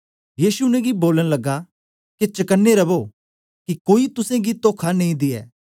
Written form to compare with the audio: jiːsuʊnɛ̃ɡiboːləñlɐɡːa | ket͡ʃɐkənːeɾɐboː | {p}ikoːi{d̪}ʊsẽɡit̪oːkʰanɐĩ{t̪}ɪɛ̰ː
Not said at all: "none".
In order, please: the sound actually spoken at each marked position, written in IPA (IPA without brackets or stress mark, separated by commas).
k, t̪, d̪